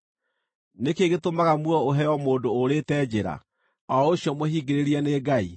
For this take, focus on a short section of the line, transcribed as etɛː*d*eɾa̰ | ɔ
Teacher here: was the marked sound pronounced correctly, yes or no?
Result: no